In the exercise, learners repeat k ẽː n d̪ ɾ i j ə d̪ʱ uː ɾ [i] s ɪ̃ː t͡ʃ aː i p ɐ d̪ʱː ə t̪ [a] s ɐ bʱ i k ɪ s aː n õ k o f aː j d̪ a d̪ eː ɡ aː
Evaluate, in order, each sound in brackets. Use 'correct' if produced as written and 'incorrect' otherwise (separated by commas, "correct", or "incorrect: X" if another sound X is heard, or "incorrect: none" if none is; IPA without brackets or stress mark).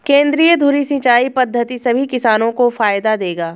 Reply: correct, incorrect: i